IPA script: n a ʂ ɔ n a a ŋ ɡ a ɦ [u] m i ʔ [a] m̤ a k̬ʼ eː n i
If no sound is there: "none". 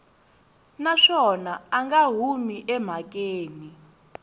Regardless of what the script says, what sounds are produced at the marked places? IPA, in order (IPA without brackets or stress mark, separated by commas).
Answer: u, ɛ